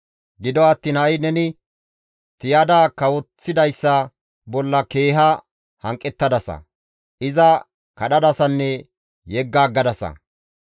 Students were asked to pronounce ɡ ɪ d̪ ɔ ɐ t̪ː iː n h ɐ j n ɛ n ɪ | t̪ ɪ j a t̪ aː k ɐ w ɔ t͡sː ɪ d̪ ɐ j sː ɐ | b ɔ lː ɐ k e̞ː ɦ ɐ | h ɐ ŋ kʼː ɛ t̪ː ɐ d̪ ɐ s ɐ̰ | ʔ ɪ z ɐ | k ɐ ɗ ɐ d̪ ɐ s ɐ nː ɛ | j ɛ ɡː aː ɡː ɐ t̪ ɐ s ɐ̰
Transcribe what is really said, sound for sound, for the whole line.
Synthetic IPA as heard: ɡ ɪ d̪ ɔ ɐ t̪ː iː n h ɐ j n ɛ n ɪ | t̪ ɪ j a d̪ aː k ɐ w ɔ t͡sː ɪ d̪ ɐ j sː ɐ | b ɔ lː ɐ k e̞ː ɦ ɐ | h ɐ ŋ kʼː ɛ t̪ː ɐ d̪ ɐ s ɐ̰ | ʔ ɪ z ɐ | k ɐ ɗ ɐ d̪ ɐ s ɐ nː ɛ | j ɛ ɡː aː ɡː ɐ d̪ ɐ s ɐ̰

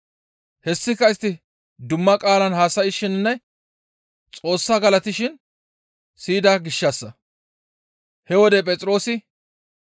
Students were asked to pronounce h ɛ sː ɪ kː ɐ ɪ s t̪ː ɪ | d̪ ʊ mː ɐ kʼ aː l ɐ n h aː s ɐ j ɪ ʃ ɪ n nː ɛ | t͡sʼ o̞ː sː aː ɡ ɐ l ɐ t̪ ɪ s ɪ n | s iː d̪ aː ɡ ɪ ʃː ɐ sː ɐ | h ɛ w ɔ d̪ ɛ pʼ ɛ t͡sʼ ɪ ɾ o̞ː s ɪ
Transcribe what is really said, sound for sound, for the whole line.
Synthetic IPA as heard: h ɛ sː ɪ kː ɐ ɪ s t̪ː ɪ | d̪ ʊ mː ɐ kʼ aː l ɐ n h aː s ɐ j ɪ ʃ ɪ n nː ɛ | t͡sʼ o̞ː sː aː ɡ ɐ l ɐ t̪ ɪ ʃ ɪ n | s iː d̪ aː ɡ ɪ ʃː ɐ sː ɐ | h ɛ w ɔ d̪ ɛ pʼ ɛ t͡sʼ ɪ ɾ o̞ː s ɪ

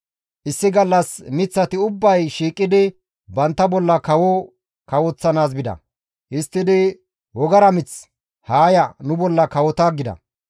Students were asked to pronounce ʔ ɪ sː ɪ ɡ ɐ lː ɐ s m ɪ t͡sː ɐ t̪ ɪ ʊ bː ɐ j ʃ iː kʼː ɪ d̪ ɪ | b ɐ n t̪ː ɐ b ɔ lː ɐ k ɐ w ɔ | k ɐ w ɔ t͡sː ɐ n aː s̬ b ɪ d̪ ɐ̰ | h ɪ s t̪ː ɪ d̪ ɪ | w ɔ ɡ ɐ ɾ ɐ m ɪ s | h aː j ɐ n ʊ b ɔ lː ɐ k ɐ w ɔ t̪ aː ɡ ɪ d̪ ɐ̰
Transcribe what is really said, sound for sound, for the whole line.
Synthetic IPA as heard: ʔ ɪ sː ɪ ɡ ɐ lː ɐ s m ɪ t͡sː ɐ t̪ ɪ ʊ bː ɐ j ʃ iː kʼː ɪ d̪ ɪ | b ɐ n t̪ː ɐ b ɔ lː ɐ k ɐ w ɔ | k ɐ w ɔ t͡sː ɐ n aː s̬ b ɪ d̪ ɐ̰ | h ɪ s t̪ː ɪ d̪ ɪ | w ɔ ɡ ɐ ɾ ɐ m ɪ t͡s | h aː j ɐ n ʊ b ɔ lː ɐ k ɐ w ɔ t̪ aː ɡ ɪ d̪ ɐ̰

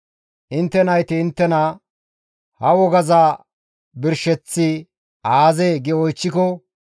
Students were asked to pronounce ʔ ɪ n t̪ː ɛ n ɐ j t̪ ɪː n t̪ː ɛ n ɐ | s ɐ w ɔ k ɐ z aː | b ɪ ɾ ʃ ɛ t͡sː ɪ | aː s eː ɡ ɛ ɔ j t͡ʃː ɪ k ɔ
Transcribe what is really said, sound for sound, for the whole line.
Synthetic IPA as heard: ʔ ɪ n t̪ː ɛ n ɐ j t̪ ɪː n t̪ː ɛ n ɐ | h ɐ w ɔ ɡ ɐ z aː | b ɪ ɾ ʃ ɛ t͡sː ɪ | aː z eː ɡ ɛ ɔ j t͡ʃː ɪ k ɔ

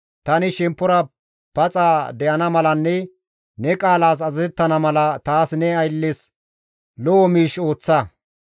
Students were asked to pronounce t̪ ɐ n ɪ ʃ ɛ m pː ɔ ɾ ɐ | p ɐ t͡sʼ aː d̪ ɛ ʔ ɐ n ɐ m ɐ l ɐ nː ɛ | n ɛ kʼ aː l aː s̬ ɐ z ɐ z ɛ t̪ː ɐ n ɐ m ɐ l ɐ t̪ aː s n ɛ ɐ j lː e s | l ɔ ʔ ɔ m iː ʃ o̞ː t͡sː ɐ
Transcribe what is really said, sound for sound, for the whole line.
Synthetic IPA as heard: t̪ ɐ n ɪ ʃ ɛ m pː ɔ ɾ ɐ | p ɐ t͡sʼ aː d̪ ɛ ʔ ɐ n ɐ m ɐ l ɐ nː ɛ | n ɛ kʼ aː l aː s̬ ɐ z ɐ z ɛ t̪ː ɐ n ɐ m ɐ l ɐ t̪ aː s n ɛ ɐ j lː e s | l ɔ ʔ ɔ m iː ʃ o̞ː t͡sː ɐ

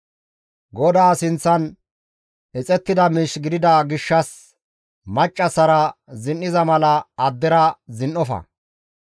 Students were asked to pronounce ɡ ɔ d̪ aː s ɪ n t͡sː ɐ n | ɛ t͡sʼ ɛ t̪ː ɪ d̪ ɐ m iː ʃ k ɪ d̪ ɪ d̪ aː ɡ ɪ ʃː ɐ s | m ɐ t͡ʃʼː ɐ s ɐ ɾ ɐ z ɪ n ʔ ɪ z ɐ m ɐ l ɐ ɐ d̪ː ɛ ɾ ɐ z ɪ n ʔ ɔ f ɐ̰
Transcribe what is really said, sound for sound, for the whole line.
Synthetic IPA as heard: ɡ ɔ d̪ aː s ɪ n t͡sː ɐ n | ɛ t͡sʼ ɛ t̪ː ɪ d̪ ɐ m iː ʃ ɡ ɪ d̪ ɪ d̪ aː ɡ ɪ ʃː ɐ s | m ɐ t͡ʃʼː ɐ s ɐ ɾ ɐ z ɪ n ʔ ɪ z ɐ m ɐ l ɐ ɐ d̪ː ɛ ɾ ɐ z ɪ n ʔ ɔ f ɐ̰

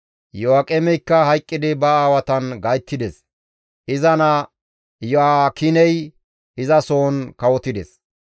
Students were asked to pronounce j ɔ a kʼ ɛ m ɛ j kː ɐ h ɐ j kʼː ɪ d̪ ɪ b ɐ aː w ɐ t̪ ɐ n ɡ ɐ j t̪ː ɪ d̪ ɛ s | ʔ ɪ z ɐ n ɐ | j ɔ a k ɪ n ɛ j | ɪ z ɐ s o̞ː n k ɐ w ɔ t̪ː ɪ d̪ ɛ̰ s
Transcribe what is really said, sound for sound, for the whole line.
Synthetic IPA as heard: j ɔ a kʼ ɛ m ɛ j kː ɐ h ɐ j kʼː ɪ d̪ ɪ b ɐ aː w ɐ t̪ ɐ n ɡ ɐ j t̪ː ɪ d̪ ɛ s | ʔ ɪ z ɐ n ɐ | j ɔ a k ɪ n ɛ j | ɪ z ɐ s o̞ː n k ɐ w ɔ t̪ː ɪ d̪ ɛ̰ s

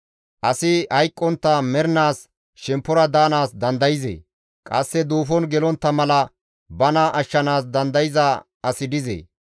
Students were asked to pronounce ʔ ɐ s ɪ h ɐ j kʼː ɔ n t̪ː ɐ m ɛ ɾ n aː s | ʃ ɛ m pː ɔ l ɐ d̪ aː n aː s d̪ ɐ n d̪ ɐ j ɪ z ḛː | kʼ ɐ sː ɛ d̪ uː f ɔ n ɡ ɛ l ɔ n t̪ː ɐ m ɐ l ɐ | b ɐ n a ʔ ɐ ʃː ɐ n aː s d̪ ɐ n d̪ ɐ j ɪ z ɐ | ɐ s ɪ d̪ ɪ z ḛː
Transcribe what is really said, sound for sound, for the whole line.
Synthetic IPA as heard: ʔ ɐ s ɪ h ɐ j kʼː ɔ n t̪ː ɐ m ɛ ɾ n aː s | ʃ ɛ m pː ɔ ɾ ɐ d̪ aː n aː s d̪ ɐ n d̪ ɐ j ɪ z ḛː | kʼ ɐ sː ɛ d̪ uː f ɔ n ɡ ɛ l ɔ n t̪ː ɐ m ɐ l ɐ | b ɐ n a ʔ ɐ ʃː ɐ n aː s d̪ ɐ n d̪ ɐ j ɪ z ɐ | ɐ s ɪ d̪ ɪ z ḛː

